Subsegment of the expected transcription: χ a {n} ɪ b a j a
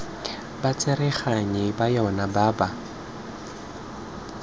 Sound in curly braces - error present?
yes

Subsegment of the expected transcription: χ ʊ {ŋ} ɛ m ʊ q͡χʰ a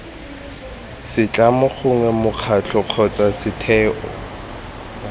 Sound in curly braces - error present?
no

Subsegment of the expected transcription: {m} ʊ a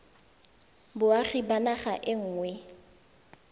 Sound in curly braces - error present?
yes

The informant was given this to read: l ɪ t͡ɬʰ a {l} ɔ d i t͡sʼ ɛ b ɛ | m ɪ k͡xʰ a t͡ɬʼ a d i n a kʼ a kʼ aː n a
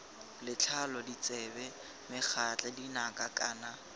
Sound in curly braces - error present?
no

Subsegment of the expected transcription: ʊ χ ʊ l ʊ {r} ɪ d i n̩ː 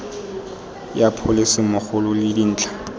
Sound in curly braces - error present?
yes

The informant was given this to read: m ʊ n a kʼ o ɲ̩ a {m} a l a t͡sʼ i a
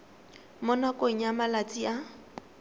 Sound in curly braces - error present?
no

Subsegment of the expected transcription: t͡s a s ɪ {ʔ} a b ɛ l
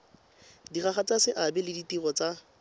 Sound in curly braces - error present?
no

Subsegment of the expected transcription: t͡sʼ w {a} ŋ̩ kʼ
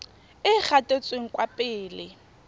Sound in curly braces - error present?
yes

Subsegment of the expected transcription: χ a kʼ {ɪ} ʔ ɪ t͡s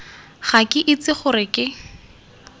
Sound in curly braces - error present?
no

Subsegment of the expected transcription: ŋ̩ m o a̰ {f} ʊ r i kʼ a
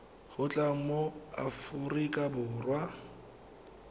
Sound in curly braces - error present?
no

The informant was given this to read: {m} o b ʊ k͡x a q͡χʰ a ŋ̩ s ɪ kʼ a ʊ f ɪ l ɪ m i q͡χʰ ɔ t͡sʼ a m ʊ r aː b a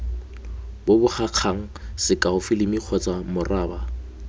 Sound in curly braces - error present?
yes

